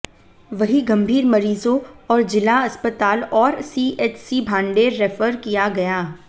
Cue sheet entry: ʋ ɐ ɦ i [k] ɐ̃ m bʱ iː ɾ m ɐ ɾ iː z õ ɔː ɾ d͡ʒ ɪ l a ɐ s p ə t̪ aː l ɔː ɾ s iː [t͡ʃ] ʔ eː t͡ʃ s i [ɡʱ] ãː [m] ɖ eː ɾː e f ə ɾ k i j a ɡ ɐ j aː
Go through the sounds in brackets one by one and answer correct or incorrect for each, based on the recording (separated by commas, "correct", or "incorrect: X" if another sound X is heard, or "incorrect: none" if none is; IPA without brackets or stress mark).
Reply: incorrect: ɡ, incorrect: none, incorrect: bʱ, incorrect: ɳ